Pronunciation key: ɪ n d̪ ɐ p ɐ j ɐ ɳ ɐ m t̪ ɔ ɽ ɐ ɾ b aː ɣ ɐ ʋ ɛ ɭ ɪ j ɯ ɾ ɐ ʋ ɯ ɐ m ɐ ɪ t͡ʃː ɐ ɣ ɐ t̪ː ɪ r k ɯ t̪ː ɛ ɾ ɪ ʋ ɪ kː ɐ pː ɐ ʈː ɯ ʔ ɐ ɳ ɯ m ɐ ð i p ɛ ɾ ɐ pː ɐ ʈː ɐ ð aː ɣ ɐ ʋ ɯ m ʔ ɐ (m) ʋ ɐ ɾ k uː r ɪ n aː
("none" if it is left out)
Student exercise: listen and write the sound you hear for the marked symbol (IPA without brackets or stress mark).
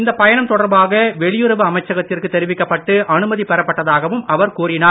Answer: none